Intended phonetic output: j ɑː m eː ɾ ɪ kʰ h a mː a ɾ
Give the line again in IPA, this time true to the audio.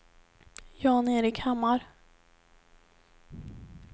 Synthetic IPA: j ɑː n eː ɾ ɪ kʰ h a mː a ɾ